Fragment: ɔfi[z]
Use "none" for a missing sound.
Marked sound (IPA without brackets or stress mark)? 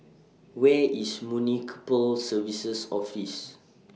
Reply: s